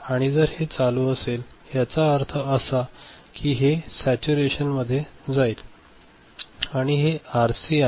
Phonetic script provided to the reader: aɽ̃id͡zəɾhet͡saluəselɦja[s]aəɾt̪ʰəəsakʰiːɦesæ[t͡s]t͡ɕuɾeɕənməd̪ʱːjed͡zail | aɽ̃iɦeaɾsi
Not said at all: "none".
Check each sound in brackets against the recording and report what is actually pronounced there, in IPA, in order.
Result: t͡s, none

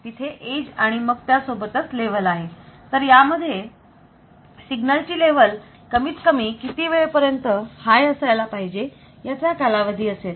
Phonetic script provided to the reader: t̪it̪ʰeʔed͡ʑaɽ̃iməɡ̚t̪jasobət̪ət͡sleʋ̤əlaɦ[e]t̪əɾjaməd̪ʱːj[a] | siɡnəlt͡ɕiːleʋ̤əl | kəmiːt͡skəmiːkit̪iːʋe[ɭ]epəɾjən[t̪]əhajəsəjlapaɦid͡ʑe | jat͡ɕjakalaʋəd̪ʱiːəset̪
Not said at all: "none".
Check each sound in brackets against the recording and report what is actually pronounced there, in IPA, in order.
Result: e, e, ɭ, t̪

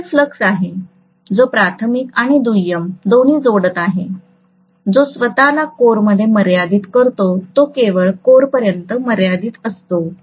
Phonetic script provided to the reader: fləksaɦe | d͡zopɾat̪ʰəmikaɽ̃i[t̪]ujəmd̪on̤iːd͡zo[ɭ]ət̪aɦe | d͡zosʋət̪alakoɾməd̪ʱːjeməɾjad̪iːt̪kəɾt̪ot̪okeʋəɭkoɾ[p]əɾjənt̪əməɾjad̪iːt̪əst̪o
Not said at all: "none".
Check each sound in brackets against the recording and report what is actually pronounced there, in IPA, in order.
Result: d̪, ɽ, p

